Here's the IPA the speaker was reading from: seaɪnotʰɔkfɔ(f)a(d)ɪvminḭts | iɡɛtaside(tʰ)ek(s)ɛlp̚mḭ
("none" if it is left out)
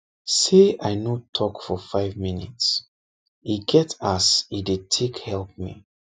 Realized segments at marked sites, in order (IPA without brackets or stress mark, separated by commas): f, none, tʰ, h